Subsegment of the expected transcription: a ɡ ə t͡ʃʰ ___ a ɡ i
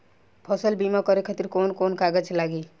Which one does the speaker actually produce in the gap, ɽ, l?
l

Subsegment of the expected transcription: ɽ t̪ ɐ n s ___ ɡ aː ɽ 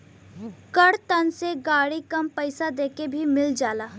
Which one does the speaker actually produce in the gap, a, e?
e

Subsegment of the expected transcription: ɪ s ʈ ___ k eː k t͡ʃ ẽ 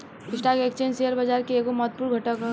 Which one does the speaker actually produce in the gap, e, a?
a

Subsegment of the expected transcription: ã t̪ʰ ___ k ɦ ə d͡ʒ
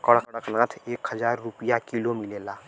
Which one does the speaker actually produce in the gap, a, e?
e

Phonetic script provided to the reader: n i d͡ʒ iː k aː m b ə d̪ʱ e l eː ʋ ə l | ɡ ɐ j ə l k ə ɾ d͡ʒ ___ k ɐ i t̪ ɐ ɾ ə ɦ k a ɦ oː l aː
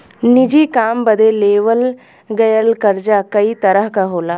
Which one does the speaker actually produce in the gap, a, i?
a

